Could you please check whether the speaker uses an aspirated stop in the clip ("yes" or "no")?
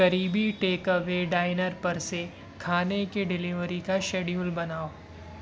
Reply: yes